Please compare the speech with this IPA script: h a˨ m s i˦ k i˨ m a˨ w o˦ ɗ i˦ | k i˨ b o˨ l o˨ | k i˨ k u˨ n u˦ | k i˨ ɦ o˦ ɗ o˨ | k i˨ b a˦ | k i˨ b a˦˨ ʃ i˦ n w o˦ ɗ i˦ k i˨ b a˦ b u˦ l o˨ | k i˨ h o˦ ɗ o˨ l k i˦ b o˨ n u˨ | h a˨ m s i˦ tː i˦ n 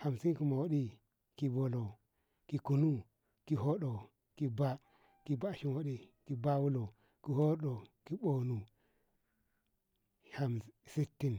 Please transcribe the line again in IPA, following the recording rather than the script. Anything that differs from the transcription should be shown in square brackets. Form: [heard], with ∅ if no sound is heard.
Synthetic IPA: h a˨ m s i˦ k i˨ m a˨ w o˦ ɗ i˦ | k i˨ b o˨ l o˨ | k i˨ k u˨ n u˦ | k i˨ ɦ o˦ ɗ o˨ | k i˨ b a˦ | k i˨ b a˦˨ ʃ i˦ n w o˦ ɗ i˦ k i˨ b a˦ [w] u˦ l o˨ | k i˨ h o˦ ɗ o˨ [∅] k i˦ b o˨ n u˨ | h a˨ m s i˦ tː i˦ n